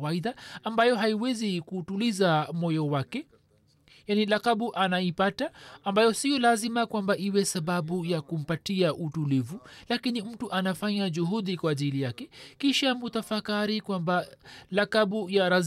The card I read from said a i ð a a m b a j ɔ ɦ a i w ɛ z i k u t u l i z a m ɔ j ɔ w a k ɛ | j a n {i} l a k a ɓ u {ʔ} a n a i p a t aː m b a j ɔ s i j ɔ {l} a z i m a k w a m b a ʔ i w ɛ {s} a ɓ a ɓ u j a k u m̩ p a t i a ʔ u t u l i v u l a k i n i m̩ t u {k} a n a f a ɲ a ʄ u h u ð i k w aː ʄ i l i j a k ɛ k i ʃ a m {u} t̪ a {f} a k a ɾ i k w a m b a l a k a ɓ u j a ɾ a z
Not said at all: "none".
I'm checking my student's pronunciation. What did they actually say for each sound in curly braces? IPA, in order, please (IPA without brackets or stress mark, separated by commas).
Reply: i, ʔ, l, s, ʔ, u, f